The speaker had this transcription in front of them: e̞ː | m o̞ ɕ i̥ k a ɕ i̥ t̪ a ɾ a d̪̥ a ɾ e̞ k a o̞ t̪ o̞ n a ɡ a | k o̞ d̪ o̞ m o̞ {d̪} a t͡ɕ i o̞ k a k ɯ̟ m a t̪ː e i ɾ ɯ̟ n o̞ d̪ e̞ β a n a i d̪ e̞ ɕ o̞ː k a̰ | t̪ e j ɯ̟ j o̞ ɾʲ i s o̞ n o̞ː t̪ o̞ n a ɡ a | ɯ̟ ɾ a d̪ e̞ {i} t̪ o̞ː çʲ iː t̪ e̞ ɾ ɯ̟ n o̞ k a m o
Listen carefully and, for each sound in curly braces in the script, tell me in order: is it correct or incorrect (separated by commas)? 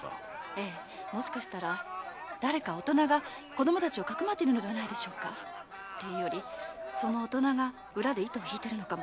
incorrect, correct